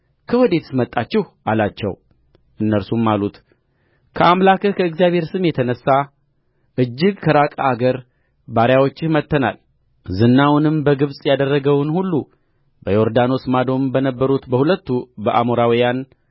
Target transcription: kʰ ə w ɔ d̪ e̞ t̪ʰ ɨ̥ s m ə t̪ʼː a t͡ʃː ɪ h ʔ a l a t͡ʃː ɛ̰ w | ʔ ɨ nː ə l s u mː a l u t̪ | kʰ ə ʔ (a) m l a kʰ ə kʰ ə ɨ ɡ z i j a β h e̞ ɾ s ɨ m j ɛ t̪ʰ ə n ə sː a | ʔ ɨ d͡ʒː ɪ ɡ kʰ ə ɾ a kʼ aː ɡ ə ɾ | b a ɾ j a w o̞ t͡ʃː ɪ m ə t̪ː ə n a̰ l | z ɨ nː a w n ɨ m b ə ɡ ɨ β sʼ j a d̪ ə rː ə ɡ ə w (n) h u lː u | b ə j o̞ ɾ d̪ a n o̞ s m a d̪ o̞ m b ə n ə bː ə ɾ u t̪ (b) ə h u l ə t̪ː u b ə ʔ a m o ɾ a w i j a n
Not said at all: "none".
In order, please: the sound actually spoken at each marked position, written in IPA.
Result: a, n, b

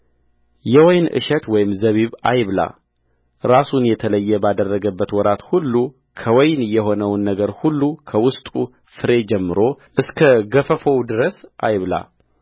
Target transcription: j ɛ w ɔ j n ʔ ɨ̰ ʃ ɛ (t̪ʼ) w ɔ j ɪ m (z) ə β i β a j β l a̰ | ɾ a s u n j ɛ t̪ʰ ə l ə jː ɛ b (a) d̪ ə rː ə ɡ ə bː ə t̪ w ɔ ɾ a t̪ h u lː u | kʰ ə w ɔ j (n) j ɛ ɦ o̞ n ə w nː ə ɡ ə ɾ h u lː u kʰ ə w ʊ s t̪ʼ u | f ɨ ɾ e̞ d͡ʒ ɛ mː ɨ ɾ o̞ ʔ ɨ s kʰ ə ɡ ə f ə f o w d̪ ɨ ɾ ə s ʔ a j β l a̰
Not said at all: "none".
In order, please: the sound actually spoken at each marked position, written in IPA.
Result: t̪, z, a, n

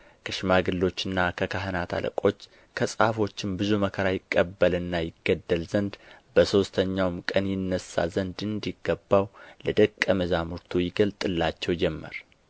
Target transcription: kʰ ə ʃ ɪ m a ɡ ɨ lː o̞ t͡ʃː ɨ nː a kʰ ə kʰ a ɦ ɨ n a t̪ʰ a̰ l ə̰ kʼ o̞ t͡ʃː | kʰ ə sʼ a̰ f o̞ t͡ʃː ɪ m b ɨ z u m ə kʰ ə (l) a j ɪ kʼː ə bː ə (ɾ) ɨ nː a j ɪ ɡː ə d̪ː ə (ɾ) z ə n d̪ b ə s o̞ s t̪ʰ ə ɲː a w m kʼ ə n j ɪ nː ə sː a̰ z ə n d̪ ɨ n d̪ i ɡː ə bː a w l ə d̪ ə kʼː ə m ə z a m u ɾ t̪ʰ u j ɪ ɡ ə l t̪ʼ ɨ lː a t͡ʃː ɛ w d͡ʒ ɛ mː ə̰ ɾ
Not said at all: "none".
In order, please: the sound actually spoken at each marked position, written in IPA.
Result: ɾ, l, l

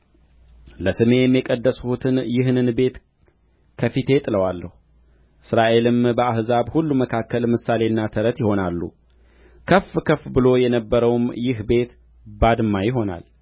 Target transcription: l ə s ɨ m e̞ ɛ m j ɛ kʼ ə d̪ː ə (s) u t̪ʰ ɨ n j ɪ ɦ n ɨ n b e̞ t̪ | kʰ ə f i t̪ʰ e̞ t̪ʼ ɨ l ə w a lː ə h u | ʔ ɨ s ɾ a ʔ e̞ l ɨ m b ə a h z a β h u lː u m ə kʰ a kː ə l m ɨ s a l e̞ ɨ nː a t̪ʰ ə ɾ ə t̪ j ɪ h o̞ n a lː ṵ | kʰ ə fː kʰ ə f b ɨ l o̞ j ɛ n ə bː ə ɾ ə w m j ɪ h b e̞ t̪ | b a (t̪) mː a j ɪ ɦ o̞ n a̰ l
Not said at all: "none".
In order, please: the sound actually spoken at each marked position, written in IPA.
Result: s, d̪

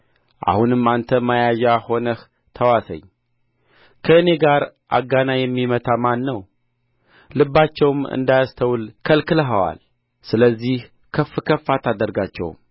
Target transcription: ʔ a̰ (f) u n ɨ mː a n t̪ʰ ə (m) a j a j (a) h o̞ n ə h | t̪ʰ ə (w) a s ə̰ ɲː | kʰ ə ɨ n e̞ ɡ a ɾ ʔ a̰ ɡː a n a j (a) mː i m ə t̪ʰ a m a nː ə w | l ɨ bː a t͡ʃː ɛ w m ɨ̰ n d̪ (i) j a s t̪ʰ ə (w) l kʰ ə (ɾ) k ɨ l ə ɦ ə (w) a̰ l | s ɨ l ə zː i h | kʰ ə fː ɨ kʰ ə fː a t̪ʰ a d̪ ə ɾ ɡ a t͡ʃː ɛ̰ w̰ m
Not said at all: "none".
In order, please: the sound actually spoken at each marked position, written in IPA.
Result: h, m, a, w, ɛ, a, w, l, w

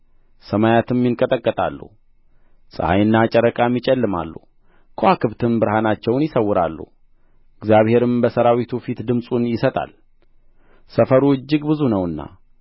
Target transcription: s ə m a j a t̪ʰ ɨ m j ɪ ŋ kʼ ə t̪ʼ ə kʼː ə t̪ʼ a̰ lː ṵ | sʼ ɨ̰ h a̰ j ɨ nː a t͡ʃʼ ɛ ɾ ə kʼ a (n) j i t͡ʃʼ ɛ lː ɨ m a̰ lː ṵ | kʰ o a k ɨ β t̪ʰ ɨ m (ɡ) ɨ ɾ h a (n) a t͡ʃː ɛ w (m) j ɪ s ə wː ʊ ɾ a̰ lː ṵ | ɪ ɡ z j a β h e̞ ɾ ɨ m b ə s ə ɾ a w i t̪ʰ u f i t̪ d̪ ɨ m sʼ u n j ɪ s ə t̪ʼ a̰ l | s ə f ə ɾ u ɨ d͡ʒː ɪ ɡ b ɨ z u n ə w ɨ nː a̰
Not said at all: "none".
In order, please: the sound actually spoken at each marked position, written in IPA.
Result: m, b, n, n

